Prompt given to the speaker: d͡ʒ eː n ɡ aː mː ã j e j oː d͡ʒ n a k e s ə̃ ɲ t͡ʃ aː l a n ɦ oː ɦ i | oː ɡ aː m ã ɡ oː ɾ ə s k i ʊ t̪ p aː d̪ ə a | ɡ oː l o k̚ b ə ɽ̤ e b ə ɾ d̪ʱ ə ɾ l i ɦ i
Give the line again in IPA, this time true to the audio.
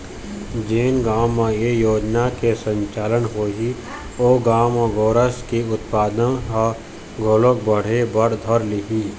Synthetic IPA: d͡ʒ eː n ɡ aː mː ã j e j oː d͡ʒ n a k e s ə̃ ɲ t͡ʃ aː l ə n ɦ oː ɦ i | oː ɡ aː m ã ɡ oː ɾ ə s k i ʊ t̪ p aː d̪ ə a | ɡ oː l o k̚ b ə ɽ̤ e b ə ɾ d̪ʱ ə ɾ l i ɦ i

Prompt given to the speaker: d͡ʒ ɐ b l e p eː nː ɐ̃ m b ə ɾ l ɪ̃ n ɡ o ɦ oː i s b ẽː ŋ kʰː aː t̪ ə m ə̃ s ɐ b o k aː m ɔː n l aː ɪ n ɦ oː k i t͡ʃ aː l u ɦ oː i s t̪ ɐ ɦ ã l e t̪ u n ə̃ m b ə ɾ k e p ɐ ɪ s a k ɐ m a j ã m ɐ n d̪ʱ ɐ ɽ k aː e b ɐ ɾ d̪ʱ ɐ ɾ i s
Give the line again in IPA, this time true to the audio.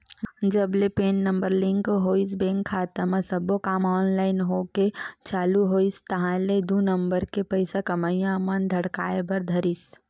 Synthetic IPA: d͡ʒ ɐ b l e p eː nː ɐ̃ m b ə ɾ l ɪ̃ ŋ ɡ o ɦ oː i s b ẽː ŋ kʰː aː t̪ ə m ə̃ s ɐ b o k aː m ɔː n l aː ɪ n ɦ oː k e t͡ʃ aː l u ɦ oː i s t̪ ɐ ɦ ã l e d̪ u n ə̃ m b ə ɾ k e p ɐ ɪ s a k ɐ m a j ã m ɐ n d̪ʱ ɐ ɽ k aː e b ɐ ɾ d̪ʱ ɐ ɾ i s

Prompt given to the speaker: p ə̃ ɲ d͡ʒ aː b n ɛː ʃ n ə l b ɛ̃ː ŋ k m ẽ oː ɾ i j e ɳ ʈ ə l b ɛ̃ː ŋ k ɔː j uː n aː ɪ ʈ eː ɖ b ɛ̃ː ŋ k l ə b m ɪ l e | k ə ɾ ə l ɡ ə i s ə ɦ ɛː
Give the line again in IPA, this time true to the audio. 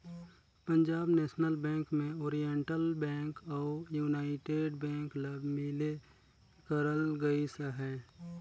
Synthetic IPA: p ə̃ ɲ d͡ʒ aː b n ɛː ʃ n ə l b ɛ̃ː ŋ k m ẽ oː ɾ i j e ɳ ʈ ə l b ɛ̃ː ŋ k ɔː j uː n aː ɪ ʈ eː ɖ b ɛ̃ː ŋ k l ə b m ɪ l e | k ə ɾ ə l ɡ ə i s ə ɦ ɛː

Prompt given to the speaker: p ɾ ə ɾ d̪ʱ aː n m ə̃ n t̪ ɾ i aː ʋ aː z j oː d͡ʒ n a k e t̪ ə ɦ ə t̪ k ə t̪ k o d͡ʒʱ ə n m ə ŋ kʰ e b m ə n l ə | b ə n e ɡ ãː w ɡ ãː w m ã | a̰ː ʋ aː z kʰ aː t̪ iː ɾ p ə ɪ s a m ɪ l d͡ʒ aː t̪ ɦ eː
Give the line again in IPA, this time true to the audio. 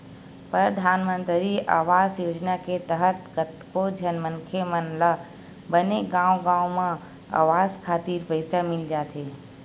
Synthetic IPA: p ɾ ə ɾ d̪ʱ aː n m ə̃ n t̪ ɾ i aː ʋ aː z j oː d͡ʒ n a k e t̪ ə ɦ ə t̪ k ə t̪ k o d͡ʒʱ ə n m ə n kʰ e m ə n l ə | b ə n e ɡ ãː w ɡ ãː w m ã | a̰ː ʋ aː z kʰ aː t̪ iː ɾ p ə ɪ s a m ɪ l d͡ʒ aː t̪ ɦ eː

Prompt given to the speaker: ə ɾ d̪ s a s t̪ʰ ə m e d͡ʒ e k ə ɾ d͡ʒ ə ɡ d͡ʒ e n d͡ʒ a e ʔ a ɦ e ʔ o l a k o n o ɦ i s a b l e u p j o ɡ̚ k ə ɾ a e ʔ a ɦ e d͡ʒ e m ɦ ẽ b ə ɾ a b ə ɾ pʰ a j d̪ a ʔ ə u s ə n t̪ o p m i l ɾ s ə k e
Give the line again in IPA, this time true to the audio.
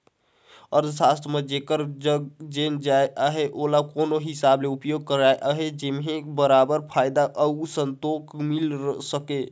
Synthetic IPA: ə ɾ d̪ s a s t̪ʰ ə m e d͡ʒ e k ə ɾ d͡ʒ ə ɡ d͡ʒ e n d͡ʒ a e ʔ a ɦ e ʔ o l a k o n o ɦ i s a b l e u p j o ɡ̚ k ə ɾ a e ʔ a ɦ e d͡ʒ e m ɦ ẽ b ə ɾ a b ə ɾ pʰ a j d̪ a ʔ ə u s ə n t̪ o k m i l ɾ s ə k e

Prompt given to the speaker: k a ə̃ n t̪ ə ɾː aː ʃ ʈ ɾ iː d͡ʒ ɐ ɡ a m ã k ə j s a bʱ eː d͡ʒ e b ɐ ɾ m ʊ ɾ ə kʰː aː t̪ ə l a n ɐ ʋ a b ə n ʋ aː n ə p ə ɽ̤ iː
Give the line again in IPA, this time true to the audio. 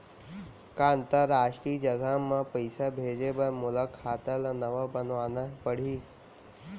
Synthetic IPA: k a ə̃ n t̪ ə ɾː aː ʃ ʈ ɾ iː d͡ʒ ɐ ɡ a m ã p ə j s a bʱ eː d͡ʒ e b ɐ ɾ m ʊ l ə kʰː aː t̪ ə l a n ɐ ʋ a b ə n ʋ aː n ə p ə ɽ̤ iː

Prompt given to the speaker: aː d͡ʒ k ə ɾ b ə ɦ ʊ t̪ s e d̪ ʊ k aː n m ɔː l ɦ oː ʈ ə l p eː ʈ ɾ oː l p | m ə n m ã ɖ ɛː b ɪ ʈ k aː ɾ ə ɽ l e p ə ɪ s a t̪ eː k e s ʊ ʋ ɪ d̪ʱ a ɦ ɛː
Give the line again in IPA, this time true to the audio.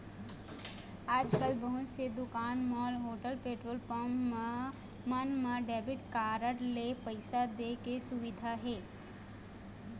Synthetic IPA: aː d͡ʒ k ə l b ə ɦ ʊ t̪ s e d̪ ʊ k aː n m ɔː l ɦ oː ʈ ə l p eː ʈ ɾ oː l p | m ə n m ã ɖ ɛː b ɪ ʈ k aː ɾ ə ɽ l e p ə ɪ s a d̪ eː k e s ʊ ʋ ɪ d̪ʱ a ɦ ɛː

